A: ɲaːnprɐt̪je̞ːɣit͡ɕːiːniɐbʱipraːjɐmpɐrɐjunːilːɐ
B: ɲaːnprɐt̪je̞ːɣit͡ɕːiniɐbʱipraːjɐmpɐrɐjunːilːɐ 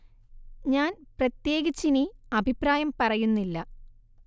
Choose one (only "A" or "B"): B